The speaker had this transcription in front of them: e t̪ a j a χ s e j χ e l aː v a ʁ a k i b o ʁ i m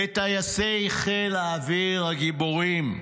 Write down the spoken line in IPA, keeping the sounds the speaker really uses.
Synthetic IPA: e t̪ a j a s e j χ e l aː v i ʁ a ɡ i b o ʁ i m